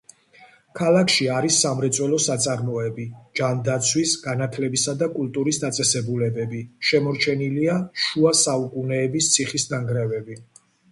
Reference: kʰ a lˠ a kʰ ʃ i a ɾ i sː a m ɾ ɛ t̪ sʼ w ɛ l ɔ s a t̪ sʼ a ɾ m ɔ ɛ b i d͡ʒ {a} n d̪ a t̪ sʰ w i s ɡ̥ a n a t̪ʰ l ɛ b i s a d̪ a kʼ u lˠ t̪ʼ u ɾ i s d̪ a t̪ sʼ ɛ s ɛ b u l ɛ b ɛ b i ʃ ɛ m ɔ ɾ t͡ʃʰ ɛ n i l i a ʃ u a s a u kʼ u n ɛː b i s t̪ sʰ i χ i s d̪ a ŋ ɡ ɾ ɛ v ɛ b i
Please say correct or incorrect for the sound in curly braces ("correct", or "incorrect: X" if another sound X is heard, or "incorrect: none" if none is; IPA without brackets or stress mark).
correct